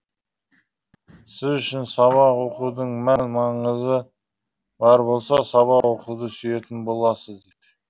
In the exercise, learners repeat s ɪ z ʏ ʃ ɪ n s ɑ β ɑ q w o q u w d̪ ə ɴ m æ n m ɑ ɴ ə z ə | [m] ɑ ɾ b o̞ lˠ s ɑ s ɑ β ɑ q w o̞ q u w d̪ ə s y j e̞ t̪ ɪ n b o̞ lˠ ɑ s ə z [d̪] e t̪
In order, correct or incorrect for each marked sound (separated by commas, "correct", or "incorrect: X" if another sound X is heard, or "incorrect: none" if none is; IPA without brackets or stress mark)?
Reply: incorrect: b, correct